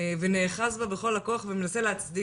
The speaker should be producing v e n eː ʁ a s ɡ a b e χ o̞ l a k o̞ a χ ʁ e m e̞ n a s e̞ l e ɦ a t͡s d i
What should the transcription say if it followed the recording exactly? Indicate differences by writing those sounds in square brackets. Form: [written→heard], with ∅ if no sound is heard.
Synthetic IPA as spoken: v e n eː [ʁ→χ] a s [ɡ→b] a b e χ o̞ l a k o̞ a χ [ʁ→v] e m e̞ n a s e̞ l e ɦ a t͡s d i

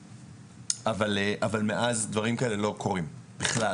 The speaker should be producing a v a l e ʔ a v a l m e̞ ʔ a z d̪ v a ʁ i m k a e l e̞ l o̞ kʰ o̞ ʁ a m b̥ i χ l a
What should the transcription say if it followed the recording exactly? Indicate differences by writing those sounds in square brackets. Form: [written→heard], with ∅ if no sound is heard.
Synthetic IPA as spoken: a v a l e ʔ a v a l m e̞ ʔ a z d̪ v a ʁ i m k a e l e̞ l o̞ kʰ o̞ ʁ [a→i] m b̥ i χ l a

